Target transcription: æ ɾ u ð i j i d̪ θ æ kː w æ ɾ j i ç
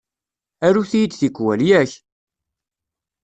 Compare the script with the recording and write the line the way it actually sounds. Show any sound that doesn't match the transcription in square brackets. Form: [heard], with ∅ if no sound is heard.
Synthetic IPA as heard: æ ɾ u [θ] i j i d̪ θ [i] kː w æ [l] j [æ] ç